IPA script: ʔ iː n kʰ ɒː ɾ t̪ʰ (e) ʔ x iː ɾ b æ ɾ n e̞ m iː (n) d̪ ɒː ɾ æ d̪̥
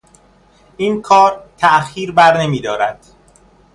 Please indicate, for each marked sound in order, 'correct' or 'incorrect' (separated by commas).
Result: incorrect, incorrect